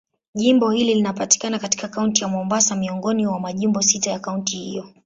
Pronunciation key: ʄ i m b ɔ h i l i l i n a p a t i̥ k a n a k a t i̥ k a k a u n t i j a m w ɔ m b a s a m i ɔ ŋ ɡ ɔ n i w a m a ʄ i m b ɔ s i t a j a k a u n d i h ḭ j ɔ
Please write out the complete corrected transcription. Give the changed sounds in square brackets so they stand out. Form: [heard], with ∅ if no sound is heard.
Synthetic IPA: ʄ i m b ɔ h i l i l i n a p a t i̥ k a n a k a t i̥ k a k a u n t i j a m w ɔ m b a s a m i ɔ ŋ ɡ ɔ n i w a m a ʄ i m b ɔ s i t a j a k a u n [t] i h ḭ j ɔ

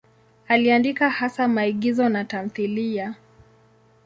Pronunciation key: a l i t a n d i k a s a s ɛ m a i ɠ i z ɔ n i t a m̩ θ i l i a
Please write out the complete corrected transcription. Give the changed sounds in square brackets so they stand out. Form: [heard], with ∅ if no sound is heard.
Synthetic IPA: a l i [∅] a n d i k a [h] a s [a] m a i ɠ i z ɔ n [a] t a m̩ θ i l i a

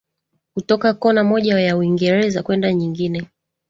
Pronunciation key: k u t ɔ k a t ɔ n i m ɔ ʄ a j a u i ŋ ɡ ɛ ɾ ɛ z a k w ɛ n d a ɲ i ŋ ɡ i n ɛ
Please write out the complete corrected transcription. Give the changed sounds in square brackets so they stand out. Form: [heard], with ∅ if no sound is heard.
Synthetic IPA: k u t ɔ k a [k] ɔ n [a] m ɔ ʄ a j a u i ŋ ɡ ɛ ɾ ɛ z a k w ɛ n d a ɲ i ŋ ɡ i n ɛ

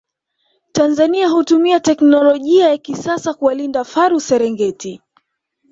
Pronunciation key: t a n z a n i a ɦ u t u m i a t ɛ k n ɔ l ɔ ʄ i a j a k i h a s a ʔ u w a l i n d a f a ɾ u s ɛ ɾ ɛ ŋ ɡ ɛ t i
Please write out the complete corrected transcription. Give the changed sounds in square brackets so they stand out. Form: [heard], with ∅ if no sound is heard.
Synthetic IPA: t a n z a n i a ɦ u t u m i a t ɛ k n ɔ l ɔ ʄ i a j a k i [s] a s a [k] u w a l i n d a f a ɾ u s ɛ ɾ ɛ ŋ ɡ ɛ t i

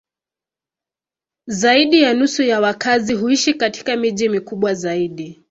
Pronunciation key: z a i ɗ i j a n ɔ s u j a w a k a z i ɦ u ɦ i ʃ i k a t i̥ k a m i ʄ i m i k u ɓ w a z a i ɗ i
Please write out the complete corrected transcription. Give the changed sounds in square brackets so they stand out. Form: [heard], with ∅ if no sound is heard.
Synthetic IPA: z a i ɗ i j a n [u] s u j a w a k a z i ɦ u [∅] i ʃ i k a t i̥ k a m i ʄ i m i k u ɓ w a z a i ɗ i

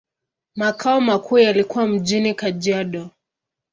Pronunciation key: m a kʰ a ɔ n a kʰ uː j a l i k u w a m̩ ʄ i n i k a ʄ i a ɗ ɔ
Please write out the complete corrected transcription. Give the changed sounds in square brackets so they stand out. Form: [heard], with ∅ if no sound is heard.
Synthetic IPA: m a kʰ a ɔ [m] a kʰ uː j a l i k u w a m̩ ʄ i n i k a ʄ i a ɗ ɔ

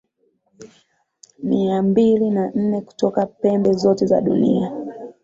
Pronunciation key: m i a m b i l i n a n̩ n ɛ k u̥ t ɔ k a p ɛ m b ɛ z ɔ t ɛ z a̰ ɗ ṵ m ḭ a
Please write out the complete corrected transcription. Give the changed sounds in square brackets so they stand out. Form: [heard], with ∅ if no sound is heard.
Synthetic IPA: m i a m b i l i n a n̩ n ɛ k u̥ t ɔ k a p ɛ m b ɛ z ɔ t ɛ z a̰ ɗ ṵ [n] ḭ a

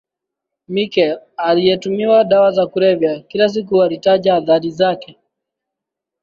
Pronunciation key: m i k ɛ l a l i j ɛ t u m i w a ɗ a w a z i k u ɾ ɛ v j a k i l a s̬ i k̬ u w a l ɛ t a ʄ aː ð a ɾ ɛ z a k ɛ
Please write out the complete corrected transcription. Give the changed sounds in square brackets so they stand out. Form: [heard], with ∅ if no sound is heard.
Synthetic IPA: m i k ɛ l a l i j ɛ t u m i w a ɗ a w a z [a] k u ɾ ɛ v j a k i l a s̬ i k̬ u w a l [i] t a ʄ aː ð a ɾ [i] z a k ɛ

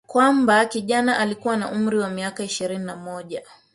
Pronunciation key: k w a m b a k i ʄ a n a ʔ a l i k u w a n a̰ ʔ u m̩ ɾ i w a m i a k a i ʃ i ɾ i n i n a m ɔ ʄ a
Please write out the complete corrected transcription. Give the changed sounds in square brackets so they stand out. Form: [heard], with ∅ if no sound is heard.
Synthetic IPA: k w a m b a k i ʄ a n a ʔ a l i k u w a n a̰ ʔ u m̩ ɾ i w a m i a k a i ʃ i ɾ i n i n a m ɔ ʄ a

